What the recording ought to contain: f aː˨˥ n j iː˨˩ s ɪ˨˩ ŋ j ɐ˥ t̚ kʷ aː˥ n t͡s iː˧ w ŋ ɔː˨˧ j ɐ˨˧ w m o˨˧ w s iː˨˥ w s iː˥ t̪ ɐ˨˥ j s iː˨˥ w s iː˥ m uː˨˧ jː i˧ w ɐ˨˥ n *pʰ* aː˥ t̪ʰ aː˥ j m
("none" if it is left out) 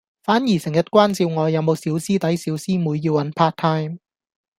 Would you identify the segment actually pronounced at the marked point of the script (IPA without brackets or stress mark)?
pʰ